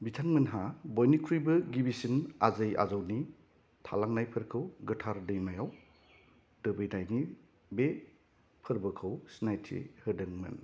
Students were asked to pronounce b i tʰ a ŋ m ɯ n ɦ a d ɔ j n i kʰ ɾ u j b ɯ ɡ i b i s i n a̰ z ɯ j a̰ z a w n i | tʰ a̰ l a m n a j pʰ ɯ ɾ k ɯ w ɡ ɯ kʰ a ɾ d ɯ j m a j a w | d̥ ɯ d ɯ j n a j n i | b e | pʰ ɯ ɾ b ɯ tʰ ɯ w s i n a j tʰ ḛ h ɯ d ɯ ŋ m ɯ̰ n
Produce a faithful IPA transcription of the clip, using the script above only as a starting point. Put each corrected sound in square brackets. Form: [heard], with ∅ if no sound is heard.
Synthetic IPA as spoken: b i tʰ a ŋ m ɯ n ɦ a [b] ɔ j n i kʰ ɾ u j b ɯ ɡ i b i s i n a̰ z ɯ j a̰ z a w n i | tʰ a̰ l a [ŋ] n a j pʰ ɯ ɾ [kʰ] ɯ w ɡ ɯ [tʰ] a ɾ d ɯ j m a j a w | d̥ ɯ [b] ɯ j n a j n i | b e | pʰ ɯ ɾ b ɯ [kʰ] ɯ w s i n a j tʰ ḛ h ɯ d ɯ ŋ m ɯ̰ n